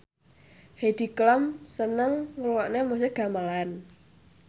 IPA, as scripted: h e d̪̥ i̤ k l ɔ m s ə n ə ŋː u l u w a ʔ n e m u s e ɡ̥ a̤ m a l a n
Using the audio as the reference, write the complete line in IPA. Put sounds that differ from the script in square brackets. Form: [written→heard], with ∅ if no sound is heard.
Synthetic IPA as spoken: h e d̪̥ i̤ k l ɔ m s ə n ə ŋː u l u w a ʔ n e m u s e ɡ̥ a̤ m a l a n

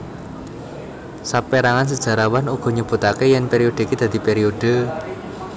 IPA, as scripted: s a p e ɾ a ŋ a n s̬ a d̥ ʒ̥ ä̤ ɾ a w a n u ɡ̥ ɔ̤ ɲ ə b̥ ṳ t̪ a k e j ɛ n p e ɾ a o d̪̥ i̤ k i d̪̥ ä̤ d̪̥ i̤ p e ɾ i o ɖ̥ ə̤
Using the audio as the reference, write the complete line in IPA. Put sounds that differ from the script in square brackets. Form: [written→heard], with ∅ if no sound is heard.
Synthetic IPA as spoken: s a p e ɾ a ŋ a n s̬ [a→ə] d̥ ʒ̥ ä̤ ɾ a w a n u ɡ̥ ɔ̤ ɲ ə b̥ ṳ t̪ a k e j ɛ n p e ɾ [a→i] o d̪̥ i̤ k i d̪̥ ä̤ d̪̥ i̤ p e ɾ i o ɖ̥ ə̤

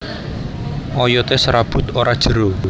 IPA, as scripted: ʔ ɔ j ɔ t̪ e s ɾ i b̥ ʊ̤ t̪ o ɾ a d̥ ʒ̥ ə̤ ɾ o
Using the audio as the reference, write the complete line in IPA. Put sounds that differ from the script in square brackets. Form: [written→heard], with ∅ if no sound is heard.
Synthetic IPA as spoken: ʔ ɔ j ɔ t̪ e s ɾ [i→a] b̥ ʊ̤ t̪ o ɾ a d̥ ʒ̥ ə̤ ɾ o

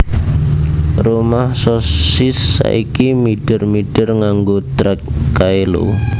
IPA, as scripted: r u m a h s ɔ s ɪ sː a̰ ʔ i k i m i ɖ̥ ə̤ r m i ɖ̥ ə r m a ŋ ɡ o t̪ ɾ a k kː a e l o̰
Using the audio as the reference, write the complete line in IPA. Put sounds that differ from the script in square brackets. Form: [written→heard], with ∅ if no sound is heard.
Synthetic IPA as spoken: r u m a h s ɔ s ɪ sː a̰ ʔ i k i m i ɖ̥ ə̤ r m i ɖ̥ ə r [m→ŋ] a ŋ ɡ o t̪ ɾ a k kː a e l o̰

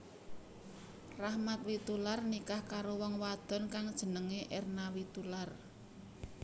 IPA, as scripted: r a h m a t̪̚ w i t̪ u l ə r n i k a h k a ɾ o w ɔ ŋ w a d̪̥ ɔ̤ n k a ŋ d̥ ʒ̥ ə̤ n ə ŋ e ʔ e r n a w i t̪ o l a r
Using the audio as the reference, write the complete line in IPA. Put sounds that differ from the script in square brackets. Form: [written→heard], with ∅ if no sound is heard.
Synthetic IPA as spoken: r a h m a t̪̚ w i t̪ u l [ə→a] r n i k a h k a ɾ o w ɔ ŋ w a d̪̥ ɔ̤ n k a ŋ d̥ ʒ̥ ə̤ n ə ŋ e ʔ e r n a w i t̪ [o→u] l a r

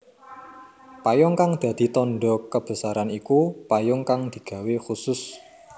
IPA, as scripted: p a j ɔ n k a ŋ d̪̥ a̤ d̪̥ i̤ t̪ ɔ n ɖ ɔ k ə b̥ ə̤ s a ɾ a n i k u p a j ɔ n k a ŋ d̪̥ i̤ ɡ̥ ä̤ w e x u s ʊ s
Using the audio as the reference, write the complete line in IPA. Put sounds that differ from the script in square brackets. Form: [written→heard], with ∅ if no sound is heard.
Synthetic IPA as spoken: p a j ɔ [n→ŋ] k a ŋ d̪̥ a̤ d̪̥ i̤ t̪ ɔ n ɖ ɔ k ə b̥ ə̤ s a ɾ a n i k u p a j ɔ [n→ŋ] k a ŋ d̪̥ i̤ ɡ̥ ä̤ w e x u s ʊ s

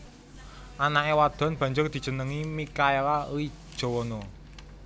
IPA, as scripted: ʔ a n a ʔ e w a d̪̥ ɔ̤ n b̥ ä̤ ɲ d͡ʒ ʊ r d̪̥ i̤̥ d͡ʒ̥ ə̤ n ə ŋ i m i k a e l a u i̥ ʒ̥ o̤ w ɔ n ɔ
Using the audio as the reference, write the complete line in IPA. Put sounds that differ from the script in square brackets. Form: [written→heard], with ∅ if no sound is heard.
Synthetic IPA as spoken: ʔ a n a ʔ e w a d̪̥ ɔ̤ n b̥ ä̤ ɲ d͡ʒ ʊ r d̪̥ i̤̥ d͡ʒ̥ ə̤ n ə ŋ i m i k a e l a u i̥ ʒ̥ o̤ w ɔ n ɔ

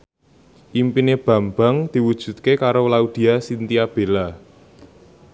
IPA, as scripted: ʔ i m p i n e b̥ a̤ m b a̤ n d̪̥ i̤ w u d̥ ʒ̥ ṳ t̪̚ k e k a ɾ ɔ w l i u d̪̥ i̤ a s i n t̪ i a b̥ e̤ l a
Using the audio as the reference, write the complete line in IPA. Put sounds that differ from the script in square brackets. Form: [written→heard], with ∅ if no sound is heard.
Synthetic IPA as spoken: ʔ i m p i n e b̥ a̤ m b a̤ [n→ŋ] d̪̥ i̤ w u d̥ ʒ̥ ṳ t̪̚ k e k a ɾ [ɔ→o] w l [i→a] u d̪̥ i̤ a s i n t̪ i a b̥ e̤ l a

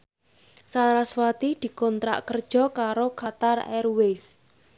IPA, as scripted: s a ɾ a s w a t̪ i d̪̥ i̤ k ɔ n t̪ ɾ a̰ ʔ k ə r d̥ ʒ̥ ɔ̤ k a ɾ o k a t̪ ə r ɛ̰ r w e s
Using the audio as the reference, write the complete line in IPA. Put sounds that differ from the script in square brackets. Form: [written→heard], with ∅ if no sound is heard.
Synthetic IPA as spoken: s a ɾ a s w a t̪ i d̪̥ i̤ k ɔ n t̪ ɾ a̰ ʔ k ə r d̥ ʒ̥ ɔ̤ k a ɾ o k a t̪ [ə→a] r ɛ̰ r w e s

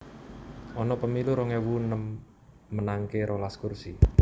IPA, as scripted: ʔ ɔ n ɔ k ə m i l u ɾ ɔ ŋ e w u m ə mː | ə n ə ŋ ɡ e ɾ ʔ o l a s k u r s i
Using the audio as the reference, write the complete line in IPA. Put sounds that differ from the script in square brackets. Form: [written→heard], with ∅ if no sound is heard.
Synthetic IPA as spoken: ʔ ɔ n ɔ [k→p] ə m i l u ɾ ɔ ŋ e w u [m→n] ə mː | ə n [ə→a] ŋ [ɡ→k] e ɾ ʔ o l a s k u r s i

